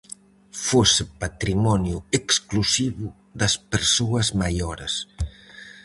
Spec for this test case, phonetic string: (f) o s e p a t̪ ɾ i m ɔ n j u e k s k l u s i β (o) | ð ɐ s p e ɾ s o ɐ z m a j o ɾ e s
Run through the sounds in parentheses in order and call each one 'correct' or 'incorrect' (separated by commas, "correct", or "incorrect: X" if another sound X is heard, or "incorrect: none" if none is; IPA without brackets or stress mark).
correct, incorrect: u